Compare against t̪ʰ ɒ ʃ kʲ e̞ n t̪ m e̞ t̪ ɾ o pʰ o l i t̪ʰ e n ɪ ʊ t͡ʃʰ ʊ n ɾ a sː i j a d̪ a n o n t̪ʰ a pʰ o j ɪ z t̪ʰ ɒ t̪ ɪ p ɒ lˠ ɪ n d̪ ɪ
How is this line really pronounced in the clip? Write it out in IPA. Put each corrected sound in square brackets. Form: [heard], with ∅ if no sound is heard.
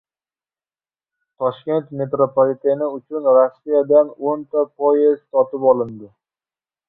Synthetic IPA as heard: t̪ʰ ɒ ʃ kʲ e̞ n t̪ m e̞ t̪ ɾ o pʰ o l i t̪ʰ e n ɪ ʊ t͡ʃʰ ʊ n ɾ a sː i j a d̪ a n o n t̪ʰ a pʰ o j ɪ z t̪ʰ ɒ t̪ ɪ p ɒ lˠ ɪ n d̪ ɪ